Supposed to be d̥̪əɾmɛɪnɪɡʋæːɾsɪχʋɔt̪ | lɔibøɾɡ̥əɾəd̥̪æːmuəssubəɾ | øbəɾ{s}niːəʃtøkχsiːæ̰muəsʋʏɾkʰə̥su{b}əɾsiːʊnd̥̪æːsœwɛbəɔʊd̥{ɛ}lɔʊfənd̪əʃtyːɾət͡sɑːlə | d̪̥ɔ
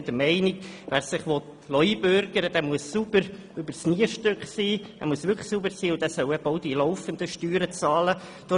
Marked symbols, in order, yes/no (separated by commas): yes, yes, no